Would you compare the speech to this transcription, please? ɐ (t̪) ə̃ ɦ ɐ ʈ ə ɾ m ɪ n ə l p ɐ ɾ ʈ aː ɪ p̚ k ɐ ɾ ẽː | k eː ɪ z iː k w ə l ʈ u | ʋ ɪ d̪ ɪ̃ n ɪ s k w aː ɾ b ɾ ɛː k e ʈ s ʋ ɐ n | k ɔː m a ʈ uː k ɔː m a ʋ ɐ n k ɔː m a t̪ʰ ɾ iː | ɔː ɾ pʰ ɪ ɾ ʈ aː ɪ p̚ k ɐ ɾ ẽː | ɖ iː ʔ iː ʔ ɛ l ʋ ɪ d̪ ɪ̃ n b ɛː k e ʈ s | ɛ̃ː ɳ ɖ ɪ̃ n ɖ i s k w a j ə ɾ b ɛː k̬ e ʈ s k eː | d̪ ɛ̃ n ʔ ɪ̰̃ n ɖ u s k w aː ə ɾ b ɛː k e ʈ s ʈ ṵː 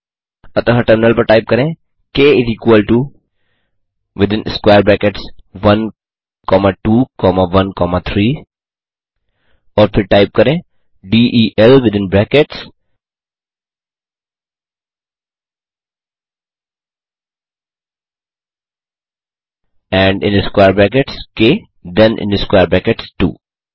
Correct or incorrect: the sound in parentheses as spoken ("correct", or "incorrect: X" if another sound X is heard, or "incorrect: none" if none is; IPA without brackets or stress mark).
correct